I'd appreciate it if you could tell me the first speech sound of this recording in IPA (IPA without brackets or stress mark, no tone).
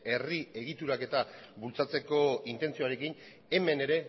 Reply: e̞